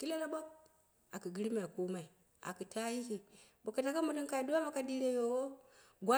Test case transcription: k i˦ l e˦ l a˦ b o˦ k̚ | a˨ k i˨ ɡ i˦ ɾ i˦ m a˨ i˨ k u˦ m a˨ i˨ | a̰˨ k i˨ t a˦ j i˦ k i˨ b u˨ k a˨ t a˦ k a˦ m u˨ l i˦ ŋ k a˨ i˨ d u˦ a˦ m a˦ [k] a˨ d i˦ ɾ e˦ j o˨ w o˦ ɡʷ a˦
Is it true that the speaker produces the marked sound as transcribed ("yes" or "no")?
yes